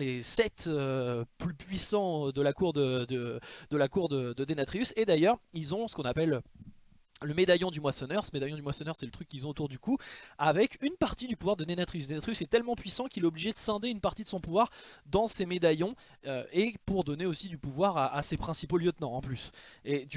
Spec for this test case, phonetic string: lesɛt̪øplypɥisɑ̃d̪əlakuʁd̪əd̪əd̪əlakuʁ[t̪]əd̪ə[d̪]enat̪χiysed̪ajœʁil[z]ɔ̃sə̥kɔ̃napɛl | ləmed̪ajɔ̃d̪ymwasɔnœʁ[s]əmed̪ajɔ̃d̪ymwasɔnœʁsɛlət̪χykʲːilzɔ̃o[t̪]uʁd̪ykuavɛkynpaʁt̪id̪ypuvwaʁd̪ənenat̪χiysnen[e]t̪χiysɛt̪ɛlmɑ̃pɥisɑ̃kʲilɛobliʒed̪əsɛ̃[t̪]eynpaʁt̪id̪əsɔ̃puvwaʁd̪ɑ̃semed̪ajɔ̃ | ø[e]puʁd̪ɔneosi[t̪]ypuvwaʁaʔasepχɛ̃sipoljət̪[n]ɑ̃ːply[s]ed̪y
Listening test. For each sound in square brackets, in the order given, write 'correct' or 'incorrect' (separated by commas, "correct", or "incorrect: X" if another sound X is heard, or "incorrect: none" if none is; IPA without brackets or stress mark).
incorrect: d̪, correct, correct, correct, correct, incorrect: a, incorrect: d̪, correct, incorrect: d̪, correct, correct